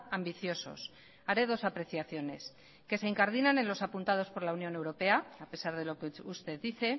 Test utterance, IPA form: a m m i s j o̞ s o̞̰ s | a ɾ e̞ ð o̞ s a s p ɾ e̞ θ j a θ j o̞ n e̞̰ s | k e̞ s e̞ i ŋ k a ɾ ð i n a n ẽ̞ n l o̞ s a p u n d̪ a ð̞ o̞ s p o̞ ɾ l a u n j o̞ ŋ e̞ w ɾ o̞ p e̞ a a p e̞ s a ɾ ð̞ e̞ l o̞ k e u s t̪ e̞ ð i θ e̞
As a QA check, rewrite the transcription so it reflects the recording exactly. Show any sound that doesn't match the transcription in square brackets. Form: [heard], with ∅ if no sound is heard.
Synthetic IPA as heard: a m [b] i [θ] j o̞ s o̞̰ s | a ɾ e̞ ð o̞ s a [∅] p ɾ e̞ θ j a θ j o̞ n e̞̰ s | k e̞ s e̞ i ŋ k a ɾ ð i n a n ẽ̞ n l o̞ s a p u n [t̪] a ð̞ o̞ s p o̞ ɾ l a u n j o̞ [n] e̞ w ɾ o̞ p e̞ a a p e̞ s a ɾ ð̞ e̞ l o̞ k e u s t̪ e̞ ð i θ e̞